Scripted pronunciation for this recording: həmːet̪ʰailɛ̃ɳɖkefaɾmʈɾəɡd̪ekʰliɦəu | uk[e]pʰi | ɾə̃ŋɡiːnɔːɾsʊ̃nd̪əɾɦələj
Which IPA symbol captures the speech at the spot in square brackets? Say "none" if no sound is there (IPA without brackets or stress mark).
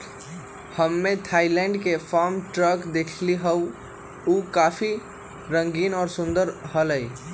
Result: a